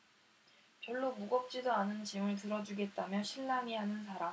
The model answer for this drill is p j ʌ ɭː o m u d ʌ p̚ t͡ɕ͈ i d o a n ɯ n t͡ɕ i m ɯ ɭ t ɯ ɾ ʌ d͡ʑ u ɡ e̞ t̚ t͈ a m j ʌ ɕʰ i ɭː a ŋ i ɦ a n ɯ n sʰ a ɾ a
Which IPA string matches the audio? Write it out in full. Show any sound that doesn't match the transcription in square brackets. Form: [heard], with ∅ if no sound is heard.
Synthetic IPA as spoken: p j ʌ ɭː o m u [ɡ] ʌ p̚ t͡ɕ͈ i d o a n ɯ n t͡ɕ i m ɯ ɭ t ɯ ɾ ʌ d͡ʑ u ɡ e̞ t̚ t͈ a m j ʌ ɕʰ i ɭː a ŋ i ɦ a n ɯ n sʰ a ɾ a